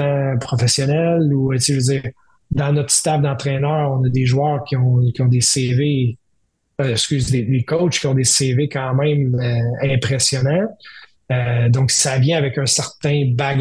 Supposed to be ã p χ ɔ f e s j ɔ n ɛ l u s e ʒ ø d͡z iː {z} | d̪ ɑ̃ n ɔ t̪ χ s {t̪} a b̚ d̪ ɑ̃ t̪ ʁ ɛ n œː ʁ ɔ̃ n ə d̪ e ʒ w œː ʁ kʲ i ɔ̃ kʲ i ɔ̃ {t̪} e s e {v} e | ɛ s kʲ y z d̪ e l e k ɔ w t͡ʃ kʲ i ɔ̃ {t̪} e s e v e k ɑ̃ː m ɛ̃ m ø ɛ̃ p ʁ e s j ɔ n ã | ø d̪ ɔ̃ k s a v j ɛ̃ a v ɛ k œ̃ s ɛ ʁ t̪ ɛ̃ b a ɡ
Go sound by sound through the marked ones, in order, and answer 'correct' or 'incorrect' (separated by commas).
incorrect, correct, incorrect, correct, incorrect